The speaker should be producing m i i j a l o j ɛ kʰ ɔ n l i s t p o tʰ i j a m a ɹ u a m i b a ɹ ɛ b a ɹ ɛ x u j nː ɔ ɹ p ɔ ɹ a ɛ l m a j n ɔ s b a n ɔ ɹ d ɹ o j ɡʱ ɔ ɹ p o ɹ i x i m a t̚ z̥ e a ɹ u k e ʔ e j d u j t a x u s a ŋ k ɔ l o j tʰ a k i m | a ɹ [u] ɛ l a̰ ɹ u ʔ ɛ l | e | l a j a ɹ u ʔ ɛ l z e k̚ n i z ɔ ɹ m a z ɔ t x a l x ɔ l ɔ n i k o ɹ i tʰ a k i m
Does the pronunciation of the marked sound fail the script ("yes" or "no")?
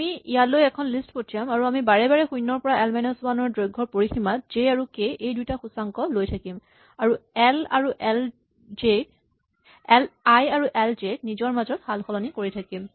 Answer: no